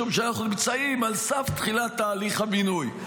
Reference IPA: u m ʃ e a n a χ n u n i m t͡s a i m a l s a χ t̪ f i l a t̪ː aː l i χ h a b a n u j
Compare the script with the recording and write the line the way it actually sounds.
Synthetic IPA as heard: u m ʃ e a n a χ n u n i m t͡s a i m a l s a f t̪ χ i l a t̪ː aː l i χ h a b i n u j

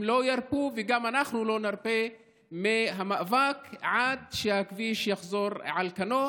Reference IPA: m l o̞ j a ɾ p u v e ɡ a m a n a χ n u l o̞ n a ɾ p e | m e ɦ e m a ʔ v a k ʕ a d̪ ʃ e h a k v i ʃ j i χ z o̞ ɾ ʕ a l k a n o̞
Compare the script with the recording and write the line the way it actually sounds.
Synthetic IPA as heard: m l o̞ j a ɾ p u v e ɡ a m a n a χ n u l o̞ n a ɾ p e | m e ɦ a m a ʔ v a k ʕ a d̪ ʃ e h a k v i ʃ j a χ z o̞ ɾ ʕ a l k a n o̞

